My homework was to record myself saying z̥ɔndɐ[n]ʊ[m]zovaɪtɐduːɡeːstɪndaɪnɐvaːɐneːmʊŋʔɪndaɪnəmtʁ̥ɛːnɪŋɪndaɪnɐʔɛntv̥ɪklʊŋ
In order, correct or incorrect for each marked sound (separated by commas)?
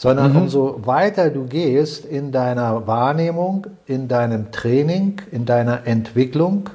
correct, correct